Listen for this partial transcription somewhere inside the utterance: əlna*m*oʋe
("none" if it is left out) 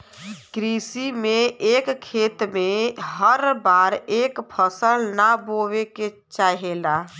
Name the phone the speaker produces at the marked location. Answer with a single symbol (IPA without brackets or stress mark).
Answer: b